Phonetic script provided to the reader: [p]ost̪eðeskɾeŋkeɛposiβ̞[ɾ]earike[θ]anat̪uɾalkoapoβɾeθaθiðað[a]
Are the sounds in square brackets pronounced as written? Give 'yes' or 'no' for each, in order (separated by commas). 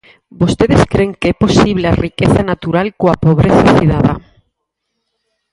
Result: no, no, yes, yes